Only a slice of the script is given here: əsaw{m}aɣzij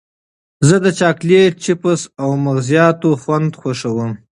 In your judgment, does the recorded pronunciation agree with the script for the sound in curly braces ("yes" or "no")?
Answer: yes